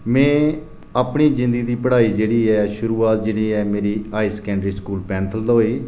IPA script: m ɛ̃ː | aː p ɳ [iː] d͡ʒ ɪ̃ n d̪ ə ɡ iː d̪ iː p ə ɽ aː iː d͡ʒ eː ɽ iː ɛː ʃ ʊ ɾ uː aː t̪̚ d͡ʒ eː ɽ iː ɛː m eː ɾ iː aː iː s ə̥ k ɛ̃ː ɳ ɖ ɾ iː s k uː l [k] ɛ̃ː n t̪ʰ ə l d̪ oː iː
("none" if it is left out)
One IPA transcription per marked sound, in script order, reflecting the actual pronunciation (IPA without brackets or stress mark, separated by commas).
iː, p